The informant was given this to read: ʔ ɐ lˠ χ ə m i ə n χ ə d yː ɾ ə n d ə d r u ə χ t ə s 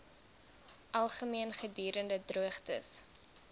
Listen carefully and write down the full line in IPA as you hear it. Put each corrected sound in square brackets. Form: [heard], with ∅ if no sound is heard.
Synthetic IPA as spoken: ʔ ɐ lˠ χ ə m i ə n χ ə d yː ɾ ə n d ə d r u ə χ t ə s